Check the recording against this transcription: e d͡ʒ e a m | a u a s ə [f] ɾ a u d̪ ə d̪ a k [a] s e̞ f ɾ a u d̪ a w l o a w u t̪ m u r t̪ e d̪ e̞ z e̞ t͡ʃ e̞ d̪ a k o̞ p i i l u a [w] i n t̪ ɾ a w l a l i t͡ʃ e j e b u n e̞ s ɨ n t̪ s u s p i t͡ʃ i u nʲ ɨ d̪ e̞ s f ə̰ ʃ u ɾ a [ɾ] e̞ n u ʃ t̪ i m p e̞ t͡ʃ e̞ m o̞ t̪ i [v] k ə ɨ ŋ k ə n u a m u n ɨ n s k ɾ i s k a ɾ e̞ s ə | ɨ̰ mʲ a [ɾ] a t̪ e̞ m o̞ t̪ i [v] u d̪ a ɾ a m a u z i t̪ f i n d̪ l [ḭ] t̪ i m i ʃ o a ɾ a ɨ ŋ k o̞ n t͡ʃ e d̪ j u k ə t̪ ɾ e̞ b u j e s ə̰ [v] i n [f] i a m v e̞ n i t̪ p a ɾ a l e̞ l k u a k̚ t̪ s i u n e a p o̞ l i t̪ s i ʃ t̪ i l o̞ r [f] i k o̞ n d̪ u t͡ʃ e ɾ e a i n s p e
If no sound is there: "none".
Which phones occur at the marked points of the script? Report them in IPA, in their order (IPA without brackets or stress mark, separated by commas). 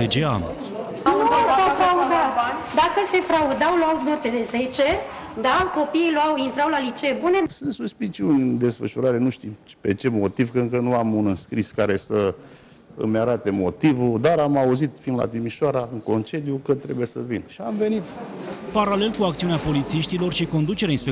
f, ə, w, ɾ, v, ɾ, v, a̰, v, ʃ, ʃ